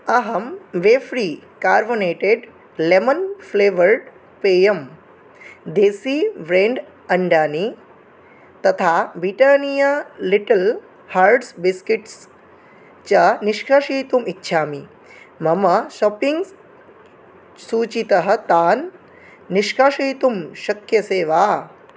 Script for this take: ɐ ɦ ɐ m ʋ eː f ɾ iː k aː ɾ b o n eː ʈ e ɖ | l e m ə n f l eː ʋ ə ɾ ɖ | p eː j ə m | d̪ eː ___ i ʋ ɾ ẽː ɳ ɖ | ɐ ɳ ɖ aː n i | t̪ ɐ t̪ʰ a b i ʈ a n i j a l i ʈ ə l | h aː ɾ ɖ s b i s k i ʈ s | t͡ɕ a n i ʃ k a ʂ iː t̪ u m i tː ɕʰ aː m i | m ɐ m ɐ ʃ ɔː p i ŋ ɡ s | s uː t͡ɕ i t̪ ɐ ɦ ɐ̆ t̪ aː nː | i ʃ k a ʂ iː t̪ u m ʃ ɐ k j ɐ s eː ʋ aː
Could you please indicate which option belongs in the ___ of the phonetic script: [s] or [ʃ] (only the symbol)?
s